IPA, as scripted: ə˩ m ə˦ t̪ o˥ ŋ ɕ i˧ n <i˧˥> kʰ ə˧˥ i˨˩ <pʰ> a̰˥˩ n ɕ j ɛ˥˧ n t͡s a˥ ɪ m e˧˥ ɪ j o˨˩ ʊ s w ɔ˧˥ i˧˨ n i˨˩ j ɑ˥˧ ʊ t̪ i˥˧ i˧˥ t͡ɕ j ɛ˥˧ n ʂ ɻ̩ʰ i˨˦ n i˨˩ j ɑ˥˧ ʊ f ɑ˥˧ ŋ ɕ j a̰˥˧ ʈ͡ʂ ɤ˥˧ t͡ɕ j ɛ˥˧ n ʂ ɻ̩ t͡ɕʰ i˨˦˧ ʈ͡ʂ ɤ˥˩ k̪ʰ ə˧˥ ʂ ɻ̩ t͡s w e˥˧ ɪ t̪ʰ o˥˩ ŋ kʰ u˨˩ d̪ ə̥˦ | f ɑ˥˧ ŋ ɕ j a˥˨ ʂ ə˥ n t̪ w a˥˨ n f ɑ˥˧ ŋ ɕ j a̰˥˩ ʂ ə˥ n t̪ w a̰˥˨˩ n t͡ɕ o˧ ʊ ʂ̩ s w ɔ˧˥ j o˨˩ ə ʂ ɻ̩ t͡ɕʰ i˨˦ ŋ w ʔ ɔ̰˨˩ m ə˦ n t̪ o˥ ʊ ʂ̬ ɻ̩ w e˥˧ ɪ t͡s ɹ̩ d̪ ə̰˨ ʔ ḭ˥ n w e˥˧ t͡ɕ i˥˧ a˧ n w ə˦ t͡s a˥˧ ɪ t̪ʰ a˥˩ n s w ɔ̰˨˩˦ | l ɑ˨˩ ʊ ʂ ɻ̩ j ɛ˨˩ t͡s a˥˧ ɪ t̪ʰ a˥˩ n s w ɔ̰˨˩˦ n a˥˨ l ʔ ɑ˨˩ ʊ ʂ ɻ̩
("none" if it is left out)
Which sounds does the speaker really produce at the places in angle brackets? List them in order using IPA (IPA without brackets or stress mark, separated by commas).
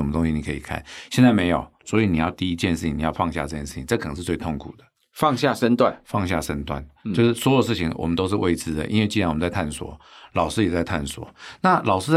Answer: i˨˩, kʰ